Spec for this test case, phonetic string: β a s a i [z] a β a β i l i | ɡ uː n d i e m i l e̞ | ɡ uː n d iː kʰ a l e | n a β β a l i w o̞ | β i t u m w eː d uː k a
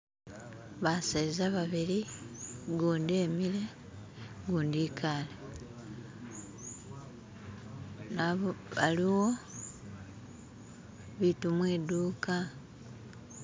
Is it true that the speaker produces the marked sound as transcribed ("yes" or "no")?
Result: yes